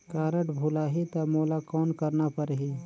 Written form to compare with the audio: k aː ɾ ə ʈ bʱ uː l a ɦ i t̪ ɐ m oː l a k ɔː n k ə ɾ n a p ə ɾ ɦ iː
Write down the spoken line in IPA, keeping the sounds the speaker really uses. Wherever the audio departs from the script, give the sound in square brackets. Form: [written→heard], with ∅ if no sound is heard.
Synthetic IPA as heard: k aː ɾ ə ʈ bʱ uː l a ɦ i t̪ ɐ m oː l a k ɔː n k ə ɾ n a p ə ɾ ɦ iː